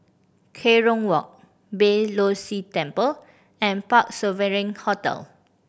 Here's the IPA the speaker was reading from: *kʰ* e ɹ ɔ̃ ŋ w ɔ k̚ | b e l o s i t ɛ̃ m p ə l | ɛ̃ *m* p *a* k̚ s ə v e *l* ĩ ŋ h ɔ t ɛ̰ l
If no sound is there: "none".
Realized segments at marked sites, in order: kʰ, n, a, ɹ

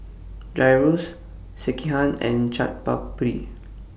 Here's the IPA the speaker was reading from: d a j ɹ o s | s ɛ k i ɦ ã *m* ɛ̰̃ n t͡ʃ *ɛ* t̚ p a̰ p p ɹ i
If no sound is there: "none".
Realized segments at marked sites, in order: n, a

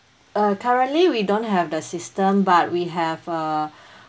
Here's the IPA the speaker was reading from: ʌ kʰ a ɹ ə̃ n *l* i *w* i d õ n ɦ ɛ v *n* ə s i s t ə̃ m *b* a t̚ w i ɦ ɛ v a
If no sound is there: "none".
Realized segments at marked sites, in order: l, w, d, b

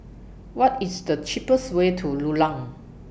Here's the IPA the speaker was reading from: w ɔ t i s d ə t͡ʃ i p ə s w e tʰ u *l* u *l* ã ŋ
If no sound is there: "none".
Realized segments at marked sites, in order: l, l

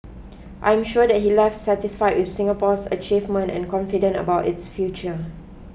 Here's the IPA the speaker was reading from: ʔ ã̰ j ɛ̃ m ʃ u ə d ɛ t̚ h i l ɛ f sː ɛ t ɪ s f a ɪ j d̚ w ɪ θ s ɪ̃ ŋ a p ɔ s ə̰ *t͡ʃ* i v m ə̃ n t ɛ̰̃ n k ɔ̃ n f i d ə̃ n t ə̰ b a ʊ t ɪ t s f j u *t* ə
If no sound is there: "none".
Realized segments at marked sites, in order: t͡ʃ, t͡ʃ

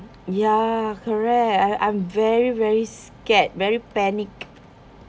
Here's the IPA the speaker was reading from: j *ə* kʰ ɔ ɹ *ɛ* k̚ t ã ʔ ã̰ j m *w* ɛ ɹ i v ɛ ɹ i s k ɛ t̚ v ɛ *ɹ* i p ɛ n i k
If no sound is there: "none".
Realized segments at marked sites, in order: a, ɛ, v, ɹ

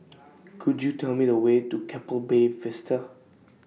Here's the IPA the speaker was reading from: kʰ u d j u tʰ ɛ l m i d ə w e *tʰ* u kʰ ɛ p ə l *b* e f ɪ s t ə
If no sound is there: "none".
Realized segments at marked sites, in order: t, b

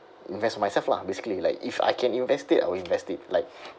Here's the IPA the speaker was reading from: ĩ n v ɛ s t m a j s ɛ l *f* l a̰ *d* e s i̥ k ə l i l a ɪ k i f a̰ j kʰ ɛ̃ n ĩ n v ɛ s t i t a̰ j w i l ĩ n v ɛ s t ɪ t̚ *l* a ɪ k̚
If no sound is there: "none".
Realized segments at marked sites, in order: f, b, l

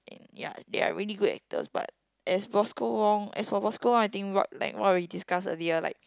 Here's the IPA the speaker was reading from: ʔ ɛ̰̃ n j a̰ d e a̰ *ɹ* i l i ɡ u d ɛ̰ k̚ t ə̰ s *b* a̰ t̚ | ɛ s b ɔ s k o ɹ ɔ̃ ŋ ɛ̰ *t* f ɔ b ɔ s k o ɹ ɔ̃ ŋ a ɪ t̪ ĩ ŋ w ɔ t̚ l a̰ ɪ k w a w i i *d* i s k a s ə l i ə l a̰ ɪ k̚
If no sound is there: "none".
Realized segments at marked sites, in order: ɹ, b, s, d

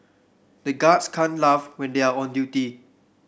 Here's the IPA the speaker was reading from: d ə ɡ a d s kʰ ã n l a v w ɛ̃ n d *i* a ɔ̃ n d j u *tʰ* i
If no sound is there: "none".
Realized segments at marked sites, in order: e, t

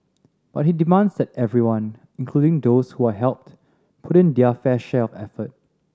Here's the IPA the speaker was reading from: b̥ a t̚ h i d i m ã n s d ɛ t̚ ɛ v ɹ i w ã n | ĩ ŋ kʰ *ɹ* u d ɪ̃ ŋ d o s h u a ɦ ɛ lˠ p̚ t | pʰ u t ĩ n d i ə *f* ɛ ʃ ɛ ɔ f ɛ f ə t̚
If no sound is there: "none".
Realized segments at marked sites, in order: l, f

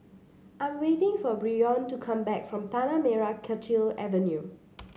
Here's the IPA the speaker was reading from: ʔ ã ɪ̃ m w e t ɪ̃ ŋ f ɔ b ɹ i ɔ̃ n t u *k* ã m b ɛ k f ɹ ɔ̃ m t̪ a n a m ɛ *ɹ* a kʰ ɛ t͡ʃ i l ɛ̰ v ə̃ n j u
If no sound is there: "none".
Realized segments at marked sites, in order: kʰ, ɹ

